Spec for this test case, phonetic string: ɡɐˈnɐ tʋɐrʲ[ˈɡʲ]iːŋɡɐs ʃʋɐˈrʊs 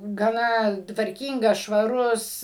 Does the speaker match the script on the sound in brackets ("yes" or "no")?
no